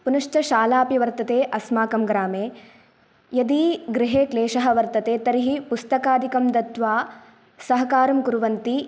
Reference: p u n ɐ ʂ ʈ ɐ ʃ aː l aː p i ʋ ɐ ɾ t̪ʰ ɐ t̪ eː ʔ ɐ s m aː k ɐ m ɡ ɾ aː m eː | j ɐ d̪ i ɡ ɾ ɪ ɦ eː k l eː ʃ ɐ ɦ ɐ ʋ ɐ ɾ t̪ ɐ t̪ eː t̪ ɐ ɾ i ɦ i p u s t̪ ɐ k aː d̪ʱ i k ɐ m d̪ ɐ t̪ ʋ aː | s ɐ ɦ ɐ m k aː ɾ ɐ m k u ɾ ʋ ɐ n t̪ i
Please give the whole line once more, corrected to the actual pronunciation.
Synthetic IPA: p u n ɐ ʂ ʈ ɐ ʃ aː l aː p i ʋ ɐ ɾ t̪ ɐ t̪ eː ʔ ɐ s m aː k ɐ m ɡ ɾ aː m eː | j ɐ d̪ i ɡ ɾ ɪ ɦ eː k l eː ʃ ɐ ɦ ɐ ʋ ɐ ɾ t̪ ɐ t̪ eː t̪ ɐ ɾ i ɦ i p u s t̪ ɐ k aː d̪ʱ i k ɐ m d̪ ɐ t̪ ʋ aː | s ɐ ɦ ɐ k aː ɾ ɐ m k u ɾ ʋ ɐ n t̪ i

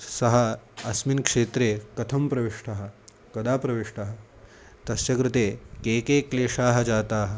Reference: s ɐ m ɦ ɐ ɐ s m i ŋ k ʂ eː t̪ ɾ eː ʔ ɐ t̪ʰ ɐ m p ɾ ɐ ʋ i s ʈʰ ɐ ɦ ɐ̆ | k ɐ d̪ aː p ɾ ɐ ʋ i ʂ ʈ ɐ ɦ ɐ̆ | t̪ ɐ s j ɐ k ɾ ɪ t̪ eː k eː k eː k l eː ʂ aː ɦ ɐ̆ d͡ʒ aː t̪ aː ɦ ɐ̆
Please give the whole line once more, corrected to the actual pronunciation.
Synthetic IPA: s ɐ ɦ ɐ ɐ s m i n k ʂ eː t̪ ɾ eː k ɐ t̪ʰ ɐ m p ɾ ɐ ʋ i ʂ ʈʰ ɐ ɦ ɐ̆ | k ɐ d̪ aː p ɾ ɐ ʋ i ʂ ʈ ɐ ɦ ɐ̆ | t̪ ɐ s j ɐ k ɾ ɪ t̪ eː k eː k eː k l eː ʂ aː ɦ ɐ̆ d͡ʒ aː t̪ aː ɦ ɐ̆

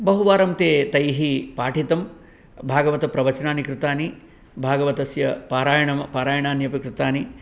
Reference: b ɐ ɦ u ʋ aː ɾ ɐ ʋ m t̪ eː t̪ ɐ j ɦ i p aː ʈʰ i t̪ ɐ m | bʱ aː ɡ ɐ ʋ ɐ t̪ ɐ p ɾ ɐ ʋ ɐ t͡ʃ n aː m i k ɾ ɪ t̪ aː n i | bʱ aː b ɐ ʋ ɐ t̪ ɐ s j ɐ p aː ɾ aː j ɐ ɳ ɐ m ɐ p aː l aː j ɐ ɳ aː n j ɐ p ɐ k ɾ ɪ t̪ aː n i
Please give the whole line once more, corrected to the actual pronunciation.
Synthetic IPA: b ɐ ɦ u ʋ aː ɾ ɐ m t̪ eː t̪ ɐ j ɦ i p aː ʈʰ i t̪ ɐ m | bʱ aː ɡ ɐ ʋ ɐ t̪ ɐ p ɾ ɐ ʋ ɐ t͡ʃ n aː n i k ɾ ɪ t̪ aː n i | bʱ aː ɡ ɐ ʋ ɐ t̪ ɐ s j ɐ p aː ɾ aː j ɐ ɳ ɐ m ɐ p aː ɾ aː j ɐ ɳ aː n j ɐ p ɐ k ɾ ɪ t̪ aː n i

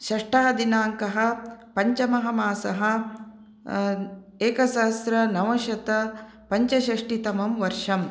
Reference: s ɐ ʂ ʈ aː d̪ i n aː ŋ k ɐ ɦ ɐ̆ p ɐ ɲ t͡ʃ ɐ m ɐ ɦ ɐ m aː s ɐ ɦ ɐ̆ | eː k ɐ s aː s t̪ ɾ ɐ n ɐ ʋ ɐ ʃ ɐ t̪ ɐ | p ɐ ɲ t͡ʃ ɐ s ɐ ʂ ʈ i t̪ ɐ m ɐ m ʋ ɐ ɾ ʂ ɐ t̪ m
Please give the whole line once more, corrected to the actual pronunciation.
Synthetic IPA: ʃ ɐ ʂ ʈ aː d̪ i n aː ŋ k ɐ ɦ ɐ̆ p ɐ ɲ t͡ʃ ɐ m ɐ ɦ ɐ m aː s ɐ ɦ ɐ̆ | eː k ɐ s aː s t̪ ɾ ɐ n ɐ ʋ ɐ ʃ ɐ t̪ ɐ | p ɐ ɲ t͡ʃ ɐ ʃ ɐ ʂ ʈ i t̪ ɐ m ɐ m ʋ ɐ ɾ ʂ ɐ m

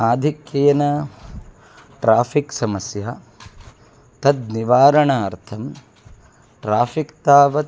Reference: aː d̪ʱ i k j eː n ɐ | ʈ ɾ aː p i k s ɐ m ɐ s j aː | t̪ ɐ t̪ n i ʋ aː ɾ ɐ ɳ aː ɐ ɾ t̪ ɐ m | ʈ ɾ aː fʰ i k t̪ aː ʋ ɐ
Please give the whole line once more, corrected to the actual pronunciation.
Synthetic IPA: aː d̪ʱ i k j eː n ɐ | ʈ ɾ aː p i k s ɐ m ɐ s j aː | t̪ ɐ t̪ n i ʋ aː ɾ ɐ ɳ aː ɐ ɾ t̪ʰ ɐ m | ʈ ɾ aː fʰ i k t̪ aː ʋ ɐ

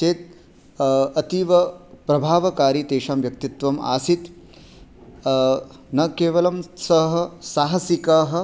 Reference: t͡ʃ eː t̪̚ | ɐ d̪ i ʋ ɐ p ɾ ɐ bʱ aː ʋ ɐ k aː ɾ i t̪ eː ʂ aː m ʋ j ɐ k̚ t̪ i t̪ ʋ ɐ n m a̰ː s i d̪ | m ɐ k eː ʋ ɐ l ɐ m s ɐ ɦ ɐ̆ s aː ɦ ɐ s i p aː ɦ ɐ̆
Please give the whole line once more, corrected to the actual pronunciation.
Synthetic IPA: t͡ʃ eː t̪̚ | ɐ t̪ i ʋ ɐ p ɾ ɐ bʱ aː ʋ ɐ k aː ɾ i t̪ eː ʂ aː m ʋ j ɐ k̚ t̪ i t̪ ʋ ɐ m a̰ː s i t̪ | n ɐ k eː ʋ ɐ l ɐ m s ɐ ɦ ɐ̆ s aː ɦ ɐ s i k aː ɦ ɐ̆

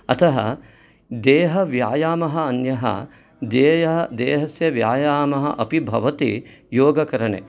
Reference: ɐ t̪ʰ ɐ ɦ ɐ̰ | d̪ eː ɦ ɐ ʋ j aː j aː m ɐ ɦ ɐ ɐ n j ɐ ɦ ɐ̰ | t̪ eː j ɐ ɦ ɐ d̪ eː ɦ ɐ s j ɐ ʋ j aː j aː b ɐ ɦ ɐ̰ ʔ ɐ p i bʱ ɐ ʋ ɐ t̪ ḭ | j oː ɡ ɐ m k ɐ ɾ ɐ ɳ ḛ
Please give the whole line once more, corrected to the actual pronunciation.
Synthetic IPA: ɐ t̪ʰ ɐ ɦ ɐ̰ | d̪ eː ɦ ɐ ʋ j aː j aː m ɐ ɦ ɐ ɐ n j ɐ ɦ ɐ̰ | d̪ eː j ɐ ɦ ɐ d̪ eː ɦ ɐ s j ɐ ʋ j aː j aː m ɐ ɦ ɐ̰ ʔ ɐ p i bʱ ɐ ʋ ɐ t̪ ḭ | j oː ɡ ɐ k ɐ ɾ ɐ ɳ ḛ

